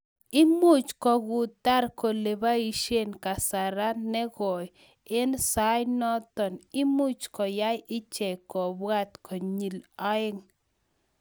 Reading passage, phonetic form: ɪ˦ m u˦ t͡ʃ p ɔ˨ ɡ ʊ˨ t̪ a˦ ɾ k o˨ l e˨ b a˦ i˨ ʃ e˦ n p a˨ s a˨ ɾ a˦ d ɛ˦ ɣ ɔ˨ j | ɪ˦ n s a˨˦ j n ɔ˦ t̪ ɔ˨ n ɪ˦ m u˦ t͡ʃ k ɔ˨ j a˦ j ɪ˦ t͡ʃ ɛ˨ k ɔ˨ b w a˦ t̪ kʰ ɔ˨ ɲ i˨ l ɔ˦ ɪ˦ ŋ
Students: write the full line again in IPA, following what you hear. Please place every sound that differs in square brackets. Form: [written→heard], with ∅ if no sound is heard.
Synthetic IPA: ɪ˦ m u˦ t͡ʃ [p→k] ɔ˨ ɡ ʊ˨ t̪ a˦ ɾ k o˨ l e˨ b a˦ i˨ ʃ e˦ n [p→k] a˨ s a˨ ɾ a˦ [d→n] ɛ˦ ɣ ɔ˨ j | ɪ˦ n s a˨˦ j n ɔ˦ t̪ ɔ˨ n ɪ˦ m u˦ t͡ʃ k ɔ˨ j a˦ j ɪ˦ t͡ʃ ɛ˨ k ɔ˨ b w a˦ t̪ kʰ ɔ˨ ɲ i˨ l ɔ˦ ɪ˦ ŋ